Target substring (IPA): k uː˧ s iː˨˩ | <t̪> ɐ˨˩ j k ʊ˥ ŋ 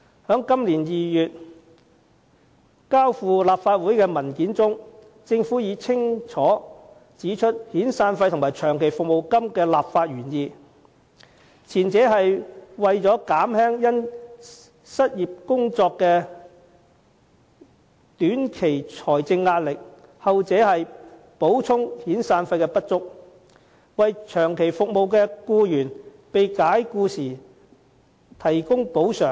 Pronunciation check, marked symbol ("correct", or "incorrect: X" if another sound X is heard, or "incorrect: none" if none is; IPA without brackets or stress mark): incorrect: t̪ʰ